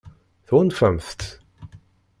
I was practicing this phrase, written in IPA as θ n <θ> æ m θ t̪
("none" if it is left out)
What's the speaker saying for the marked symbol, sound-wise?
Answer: f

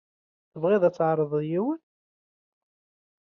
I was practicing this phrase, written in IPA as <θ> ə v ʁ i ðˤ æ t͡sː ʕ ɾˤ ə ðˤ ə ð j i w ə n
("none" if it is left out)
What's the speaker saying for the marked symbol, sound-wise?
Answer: θ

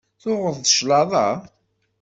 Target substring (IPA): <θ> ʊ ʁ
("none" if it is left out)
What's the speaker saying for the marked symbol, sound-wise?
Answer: θ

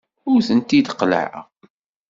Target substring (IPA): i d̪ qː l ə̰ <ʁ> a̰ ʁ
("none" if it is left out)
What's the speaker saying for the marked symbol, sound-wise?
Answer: ʕ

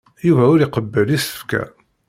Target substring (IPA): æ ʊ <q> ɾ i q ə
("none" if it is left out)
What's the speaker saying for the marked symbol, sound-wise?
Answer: none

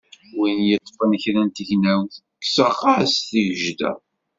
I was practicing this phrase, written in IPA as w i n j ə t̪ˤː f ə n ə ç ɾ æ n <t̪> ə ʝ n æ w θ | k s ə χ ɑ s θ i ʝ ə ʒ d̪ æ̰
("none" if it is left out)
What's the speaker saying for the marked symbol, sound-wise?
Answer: t̪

